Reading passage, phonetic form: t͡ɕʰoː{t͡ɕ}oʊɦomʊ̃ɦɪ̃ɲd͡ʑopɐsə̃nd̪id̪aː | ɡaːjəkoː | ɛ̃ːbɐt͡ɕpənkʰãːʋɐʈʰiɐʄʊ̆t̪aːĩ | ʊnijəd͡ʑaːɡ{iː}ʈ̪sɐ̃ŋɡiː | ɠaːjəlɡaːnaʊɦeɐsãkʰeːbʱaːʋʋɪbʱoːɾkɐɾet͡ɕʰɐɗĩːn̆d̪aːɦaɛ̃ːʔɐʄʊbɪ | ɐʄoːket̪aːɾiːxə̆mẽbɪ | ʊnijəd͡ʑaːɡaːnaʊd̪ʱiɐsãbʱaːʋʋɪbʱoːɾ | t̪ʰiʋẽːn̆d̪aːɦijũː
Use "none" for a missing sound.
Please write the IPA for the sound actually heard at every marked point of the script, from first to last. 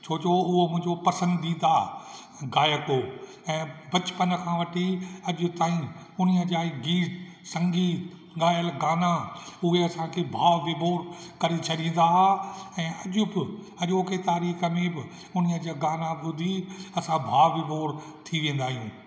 t͡ɕ, iː

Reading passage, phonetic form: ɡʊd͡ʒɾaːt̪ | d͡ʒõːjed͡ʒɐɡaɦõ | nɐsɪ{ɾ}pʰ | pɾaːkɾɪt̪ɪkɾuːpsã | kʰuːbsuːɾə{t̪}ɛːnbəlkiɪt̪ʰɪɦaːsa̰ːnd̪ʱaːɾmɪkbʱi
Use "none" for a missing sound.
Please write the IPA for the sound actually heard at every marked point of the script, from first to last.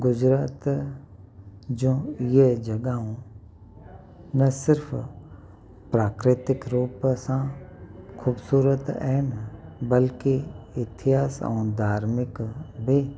ɾ, t̪

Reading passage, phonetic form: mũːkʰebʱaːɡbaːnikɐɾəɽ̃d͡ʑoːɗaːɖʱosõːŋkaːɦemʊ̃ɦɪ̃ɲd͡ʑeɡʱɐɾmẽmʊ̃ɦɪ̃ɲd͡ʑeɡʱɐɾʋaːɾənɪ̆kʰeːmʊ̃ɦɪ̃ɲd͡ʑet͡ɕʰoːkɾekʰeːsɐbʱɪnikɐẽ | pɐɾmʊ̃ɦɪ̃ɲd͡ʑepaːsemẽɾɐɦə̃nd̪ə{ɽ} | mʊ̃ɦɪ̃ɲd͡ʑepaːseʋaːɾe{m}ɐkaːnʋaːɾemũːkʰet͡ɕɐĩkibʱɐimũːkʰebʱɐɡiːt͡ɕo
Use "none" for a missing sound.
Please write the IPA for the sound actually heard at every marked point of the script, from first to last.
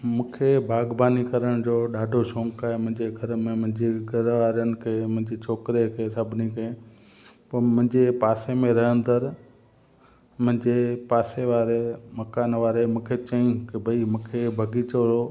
ɾ, m

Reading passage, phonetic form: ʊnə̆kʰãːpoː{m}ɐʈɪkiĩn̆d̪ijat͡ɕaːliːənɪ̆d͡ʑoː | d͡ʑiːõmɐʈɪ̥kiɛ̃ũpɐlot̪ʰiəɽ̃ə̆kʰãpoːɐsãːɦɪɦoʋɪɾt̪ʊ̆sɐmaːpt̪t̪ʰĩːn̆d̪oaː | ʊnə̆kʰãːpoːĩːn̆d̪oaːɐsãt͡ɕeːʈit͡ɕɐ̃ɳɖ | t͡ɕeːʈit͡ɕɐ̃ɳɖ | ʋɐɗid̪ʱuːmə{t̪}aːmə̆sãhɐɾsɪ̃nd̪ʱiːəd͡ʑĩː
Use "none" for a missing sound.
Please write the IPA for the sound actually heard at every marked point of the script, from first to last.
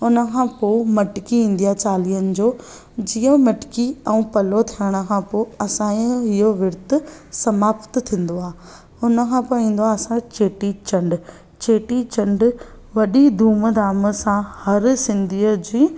m, d̪

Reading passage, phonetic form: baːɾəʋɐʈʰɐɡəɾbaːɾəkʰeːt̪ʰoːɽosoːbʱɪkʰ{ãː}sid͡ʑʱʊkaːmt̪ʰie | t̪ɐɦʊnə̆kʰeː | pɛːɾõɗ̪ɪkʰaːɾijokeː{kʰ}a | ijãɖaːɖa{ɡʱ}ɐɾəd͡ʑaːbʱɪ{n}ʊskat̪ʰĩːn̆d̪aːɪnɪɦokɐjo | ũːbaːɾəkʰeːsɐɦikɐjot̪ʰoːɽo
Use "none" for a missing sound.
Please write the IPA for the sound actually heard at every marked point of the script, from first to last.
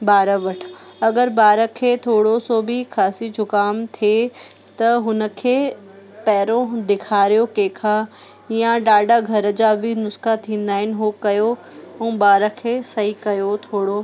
aː, kʰ, ɡʱ, n

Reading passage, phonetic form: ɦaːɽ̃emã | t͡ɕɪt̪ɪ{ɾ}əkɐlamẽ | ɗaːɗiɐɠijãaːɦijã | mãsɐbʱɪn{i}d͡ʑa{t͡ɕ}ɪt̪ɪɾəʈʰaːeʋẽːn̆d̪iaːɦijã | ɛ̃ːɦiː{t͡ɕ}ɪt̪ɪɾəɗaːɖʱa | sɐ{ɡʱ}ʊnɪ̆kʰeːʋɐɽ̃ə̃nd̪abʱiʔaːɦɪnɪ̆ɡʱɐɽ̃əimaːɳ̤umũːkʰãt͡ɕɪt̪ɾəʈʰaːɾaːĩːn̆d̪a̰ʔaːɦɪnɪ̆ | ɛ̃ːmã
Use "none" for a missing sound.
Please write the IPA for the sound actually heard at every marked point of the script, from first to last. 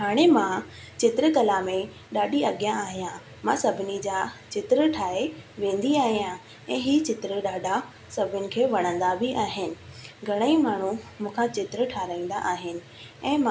ɾ, i, t͡ɕ, t͡ɕ, bʱ

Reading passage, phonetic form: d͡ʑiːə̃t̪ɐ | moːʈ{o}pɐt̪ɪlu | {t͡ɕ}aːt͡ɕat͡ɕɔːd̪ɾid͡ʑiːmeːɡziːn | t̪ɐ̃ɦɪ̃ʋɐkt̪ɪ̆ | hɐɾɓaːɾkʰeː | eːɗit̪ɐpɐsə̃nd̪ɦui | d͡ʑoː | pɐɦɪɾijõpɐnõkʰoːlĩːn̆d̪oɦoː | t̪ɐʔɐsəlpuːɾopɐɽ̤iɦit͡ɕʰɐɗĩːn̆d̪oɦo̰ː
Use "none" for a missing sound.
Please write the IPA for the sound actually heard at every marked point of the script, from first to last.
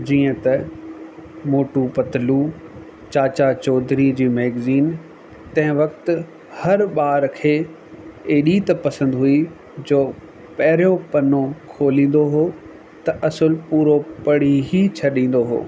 u, t͡ɕ

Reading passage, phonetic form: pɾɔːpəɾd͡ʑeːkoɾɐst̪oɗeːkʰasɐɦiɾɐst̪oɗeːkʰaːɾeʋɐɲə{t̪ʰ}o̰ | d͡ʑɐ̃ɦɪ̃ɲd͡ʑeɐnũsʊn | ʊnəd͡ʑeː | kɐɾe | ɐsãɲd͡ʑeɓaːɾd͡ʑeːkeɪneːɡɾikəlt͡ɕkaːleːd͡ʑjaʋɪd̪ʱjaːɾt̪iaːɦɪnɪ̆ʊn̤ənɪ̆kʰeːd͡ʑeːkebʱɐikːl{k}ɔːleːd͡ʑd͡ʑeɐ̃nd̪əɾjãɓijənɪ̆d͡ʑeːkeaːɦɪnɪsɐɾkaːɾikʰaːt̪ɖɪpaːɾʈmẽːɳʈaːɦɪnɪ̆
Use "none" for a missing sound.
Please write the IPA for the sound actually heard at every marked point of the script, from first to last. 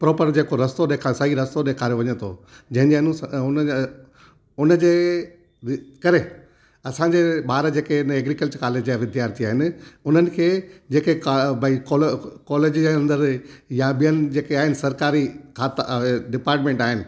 t̪ʰ, k

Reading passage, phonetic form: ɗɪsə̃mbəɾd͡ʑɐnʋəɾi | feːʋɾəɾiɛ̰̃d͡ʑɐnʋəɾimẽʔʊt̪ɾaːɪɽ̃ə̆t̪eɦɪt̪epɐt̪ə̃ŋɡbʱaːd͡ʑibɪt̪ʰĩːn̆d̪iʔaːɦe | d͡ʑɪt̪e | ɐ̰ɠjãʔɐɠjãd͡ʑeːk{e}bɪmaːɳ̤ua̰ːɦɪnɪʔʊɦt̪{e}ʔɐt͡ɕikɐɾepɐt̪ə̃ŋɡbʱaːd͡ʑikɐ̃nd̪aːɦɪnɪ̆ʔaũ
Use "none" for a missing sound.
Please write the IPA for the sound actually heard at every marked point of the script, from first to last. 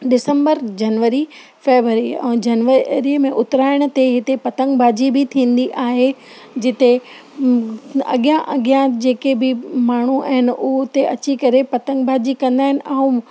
e, e

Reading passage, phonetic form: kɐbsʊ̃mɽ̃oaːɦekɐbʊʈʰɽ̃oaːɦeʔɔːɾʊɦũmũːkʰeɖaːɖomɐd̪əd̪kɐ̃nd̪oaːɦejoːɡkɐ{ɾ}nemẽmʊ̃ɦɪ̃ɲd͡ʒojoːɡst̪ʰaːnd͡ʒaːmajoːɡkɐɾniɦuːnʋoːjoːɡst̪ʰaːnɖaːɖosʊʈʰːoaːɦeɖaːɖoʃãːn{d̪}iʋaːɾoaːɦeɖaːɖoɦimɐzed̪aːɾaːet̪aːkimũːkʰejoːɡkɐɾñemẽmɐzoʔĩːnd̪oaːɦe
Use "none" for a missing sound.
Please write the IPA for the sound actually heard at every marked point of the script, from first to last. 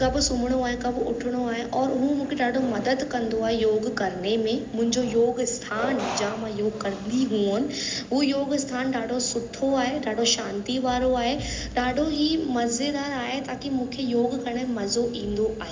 ɾ, t̪

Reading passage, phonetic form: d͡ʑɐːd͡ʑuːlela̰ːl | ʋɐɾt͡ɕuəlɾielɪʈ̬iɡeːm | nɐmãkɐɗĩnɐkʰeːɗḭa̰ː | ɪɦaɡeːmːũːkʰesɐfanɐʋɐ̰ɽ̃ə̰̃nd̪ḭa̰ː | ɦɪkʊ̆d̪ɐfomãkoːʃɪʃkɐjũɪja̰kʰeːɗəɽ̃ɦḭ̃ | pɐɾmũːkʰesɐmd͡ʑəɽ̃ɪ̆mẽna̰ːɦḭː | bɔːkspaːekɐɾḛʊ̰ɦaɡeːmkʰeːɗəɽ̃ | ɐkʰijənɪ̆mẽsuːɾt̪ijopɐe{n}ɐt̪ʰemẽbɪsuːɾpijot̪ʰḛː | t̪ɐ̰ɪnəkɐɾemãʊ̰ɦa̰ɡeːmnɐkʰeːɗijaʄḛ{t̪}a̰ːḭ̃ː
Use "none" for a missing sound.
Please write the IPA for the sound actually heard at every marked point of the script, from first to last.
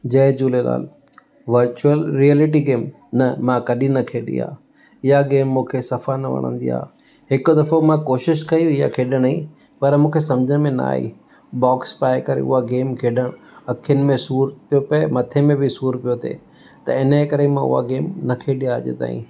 m, t̪

